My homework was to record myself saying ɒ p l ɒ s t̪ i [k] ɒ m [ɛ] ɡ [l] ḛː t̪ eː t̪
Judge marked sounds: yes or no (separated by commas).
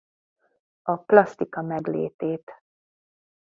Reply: yes, yes, yes